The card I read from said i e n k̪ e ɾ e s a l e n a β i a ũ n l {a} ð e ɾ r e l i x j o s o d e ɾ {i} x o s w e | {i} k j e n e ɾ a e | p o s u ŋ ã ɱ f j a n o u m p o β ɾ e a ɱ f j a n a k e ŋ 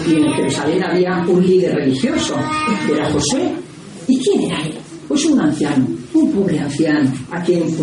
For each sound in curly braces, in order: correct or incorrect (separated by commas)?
incorrect, incorrect, correct